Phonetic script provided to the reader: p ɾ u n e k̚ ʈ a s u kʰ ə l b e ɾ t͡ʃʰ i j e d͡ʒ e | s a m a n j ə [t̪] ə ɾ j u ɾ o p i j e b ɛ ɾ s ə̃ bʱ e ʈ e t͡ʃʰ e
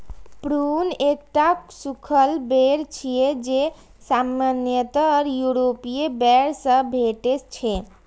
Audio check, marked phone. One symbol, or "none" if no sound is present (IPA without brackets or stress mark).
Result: t̪